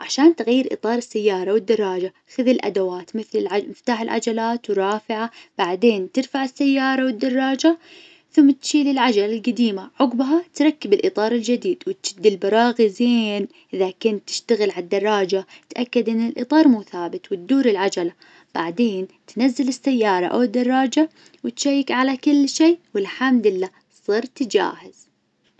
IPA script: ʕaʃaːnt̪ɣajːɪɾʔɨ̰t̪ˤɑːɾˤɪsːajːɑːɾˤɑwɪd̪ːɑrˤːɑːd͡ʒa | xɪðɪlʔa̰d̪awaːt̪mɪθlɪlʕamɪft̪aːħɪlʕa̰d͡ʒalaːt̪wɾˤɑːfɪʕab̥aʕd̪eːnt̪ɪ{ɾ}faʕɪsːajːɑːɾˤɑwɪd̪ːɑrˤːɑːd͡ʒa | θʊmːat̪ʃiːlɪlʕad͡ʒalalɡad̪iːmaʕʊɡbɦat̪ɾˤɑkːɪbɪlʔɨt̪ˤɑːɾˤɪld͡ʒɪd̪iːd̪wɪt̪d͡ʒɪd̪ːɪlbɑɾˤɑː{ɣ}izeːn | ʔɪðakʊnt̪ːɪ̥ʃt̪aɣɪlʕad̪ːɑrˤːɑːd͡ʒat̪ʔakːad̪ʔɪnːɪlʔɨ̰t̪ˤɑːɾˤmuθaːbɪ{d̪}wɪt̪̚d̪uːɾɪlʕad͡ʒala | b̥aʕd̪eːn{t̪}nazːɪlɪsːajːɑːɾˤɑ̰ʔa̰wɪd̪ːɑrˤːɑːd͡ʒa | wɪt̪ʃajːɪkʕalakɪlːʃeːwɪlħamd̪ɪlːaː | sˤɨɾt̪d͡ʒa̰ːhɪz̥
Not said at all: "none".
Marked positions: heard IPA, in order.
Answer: ɾ, ɣ, t̪, t̪

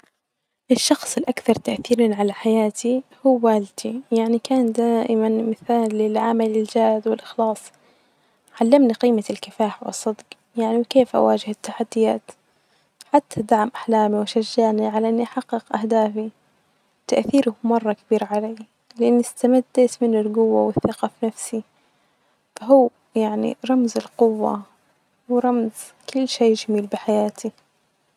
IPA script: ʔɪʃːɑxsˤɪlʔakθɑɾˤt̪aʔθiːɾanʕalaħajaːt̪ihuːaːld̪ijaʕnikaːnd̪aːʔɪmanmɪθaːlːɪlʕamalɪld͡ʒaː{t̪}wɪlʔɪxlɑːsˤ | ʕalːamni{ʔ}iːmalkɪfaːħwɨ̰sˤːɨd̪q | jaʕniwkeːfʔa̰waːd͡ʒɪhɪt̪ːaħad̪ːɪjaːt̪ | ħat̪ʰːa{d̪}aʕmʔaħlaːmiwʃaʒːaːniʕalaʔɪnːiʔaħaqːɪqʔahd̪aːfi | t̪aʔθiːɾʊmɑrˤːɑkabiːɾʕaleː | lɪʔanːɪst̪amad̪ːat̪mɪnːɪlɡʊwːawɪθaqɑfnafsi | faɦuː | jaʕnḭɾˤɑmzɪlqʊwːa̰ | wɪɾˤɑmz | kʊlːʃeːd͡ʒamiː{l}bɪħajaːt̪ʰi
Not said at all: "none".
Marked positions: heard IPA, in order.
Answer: d̪, q, d̪, l

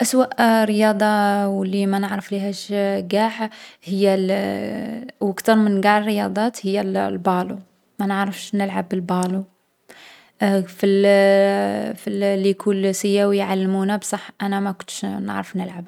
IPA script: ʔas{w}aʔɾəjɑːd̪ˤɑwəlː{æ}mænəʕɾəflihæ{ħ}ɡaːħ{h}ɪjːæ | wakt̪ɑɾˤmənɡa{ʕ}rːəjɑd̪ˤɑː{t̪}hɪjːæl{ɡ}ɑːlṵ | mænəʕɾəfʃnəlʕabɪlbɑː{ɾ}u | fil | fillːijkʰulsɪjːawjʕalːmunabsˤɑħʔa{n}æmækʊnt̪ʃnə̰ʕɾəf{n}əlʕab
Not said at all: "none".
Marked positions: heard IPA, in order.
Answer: w, i, ʃ, h, ʕ, t̪, b, l, n, n

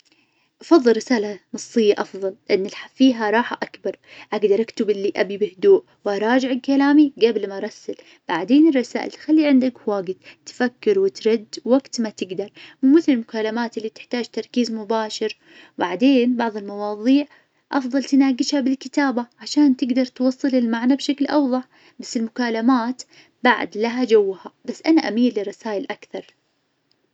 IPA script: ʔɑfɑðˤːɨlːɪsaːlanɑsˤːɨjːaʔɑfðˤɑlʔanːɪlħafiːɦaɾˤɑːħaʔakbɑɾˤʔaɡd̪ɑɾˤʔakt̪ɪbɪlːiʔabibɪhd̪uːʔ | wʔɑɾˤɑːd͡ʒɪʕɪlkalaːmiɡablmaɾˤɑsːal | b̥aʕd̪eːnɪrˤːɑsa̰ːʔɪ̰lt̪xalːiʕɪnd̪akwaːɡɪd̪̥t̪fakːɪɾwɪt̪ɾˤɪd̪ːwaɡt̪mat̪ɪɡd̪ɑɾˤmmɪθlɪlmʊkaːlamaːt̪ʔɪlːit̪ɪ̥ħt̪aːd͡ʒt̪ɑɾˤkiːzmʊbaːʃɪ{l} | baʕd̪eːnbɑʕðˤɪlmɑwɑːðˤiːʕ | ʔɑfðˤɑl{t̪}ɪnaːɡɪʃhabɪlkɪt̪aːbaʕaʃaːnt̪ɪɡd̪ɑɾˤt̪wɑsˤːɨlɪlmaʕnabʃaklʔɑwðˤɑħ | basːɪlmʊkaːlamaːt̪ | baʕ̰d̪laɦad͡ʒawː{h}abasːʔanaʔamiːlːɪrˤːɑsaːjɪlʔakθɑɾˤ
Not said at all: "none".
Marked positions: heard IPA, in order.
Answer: ɾ, t̪, h

